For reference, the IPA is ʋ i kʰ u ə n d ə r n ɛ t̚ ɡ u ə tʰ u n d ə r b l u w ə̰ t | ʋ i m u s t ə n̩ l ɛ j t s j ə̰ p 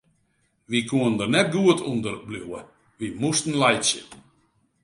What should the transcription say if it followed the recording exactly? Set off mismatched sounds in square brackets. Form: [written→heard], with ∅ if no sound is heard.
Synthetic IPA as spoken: ʋ i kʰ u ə n d ə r n ɛ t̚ ɡ u ə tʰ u n d ə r b l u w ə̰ [t→∅] | ʋ i m u s t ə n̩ l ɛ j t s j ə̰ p